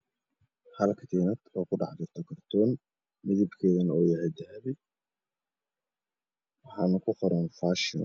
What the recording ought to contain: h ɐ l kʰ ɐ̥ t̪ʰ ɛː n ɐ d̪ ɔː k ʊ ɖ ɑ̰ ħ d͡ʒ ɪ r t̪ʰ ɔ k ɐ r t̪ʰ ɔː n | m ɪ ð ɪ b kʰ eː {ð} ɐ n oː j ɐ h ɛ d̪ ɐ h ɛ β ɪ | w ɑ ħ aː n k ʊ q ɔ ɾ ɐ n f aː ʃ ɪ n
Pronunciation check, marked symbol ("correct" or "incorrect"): correct